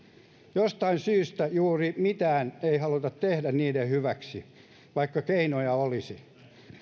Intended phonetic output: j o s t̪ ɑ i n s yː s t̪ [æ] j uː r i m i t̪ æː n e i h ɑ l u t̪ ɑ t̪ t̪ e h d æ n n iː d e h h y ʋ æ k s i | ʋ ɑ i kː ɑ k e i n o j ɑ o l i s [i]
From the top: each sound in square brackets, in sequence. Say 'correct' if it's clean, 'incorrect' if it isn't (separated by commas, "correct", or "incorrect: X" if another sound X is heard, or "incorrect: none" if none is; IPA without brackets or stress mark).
correct, correct